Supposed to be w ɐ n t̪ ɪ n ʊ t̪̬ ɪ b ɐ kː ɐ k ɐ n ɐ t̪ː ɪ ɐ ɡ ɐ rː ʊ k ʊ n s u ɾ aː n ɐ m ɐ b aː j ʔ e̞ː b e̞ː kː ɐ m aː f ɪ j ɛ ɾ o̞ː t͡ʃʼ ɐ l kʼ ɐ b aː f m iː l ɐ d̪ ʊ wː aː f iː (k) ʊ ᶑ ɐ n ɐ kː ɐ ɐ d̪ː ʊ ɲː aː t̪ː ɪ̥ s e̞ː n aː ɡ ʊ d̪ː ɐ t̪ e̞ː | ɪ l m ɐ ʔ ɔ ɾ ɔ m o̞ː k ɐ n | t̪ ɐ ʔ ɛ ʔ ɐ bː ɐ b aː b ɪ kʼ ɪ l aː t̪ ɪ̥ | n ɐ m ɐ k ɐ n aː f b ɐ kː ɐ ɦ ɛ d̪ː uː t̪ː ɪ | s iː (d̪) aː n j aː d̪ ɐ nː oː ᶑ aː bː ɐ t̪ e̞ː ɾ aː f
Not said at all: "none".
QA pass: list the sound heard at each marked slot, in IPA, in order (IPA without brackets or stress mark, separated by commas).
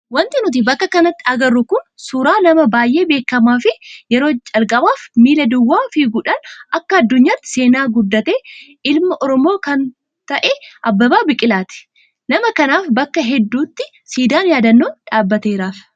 ɡ, d̪